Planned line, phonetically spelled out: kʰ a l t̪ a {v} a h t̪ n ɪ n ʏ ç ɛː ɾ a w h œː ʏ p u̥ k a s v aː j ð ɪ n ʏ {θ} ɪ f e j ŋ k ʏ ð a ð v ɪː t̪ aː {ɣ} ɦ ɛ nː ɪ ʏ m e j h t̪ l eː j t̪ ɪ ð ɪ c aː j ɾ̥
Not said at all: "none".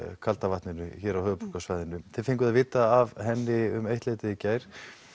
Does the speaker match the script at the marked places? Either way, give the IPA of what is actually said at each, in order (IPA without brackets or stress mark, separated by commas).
v, θ, v